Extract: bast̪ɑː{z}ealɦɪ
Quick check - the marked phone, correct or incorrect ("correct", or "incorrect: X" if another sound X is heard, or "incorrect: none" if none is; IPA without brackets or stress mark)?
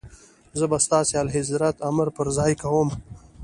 incorrect: s